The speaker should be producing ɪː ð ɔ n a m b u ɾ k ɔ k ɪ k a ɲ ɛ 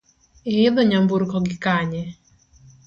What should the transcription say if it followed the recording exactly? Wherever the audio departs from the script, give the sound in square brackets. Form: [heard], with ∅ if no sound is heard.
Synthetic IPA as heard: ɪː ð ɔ [ɲ] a m b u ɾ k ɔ [ɡ] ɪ k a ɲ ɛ